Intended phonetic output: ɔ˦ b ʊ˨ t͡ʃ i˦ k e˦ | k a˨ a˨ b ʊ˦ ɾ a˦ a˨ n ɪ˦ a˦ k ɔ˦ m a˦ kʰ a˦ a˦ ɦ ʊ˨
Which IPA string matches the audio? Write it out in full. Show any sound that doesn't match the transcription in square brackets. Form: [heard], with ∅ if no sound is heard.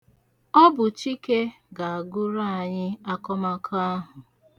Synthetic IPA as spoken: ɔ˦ b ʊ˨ t͡ʃ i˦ k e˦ | [ɡ] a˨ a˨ [ɡ] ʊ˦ ɾ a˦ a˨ [ɲ] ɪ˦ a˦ k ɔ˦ m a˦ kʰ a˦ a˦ ɦ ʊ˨

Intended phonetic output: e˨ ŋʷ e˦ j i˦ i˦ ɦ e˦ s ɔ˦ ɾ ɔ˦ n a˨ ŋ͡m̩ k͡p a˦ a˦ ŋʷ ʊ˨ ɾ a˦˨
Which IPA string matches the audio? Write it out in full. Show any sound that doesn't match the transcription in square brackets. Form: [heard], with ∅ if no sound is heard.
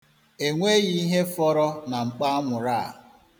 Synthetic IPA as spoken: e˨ ŋʷ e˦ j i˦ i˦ ɦ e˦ [f] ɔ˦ ɾ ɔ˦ n a˨ ŋ͡m̩ k͡p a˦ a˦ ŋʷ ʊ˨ ɾ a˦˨

